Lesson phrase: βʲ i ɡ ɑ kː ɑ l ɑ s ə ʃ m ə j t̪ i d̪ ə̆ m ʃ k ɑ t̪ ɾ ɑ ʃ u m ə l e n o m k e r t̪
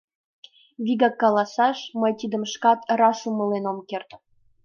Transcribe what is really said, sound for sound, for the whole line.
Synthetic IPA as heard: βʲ i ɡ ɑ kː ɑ l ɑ s ɑ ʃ m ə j t̪ i d̪ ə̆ m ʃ k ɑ t̪ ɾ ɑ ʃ u m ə l e n o m k e r t̪